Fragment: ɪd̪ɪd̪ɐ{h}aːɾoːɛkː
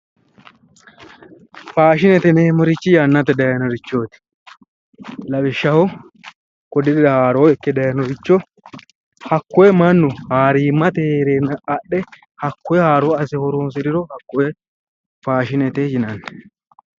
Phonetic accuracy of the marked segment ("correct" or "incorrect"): correct